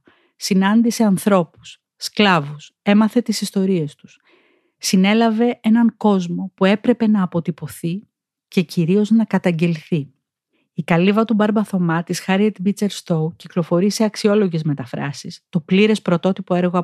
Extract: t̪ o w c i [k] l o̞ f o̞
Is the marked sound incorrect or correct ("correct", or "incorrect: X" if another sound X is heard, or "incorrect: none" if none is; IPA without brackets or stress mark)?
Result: correct